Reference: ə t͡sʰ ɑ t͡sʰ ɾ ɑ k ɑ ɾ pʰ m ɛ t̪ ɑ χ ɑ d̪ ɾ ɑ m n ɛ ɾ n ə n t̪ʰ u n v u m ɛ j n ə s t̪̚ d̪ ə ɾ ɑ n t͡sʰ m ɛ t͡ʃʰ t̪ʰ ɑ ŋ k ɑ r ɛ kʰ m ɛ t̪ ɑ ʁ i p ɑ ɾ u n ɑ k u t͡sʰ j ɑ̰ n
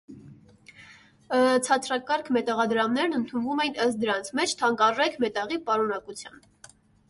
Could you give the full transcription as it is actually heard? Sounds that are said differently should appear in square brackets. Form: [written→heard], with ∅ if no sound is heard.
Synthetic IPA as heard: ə t͡sʰ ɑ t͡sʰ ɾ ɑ k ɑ ɾ [pʰ→kʰ] m ɛ t̪ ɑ [χ→ʁ] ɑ d̪ ɾ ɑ m n ɛ ɾ n ə n t̪ʰ u n v u m ɛ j n ə s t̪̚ d̪ ə ɾ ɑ n t͡sʰ m ɛ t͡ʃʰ t̪ʰ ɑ ŋ k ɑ r ɛ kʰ m ɛ t̪ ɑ ʁ i p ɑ ɾ u n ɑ k u t͡sʰ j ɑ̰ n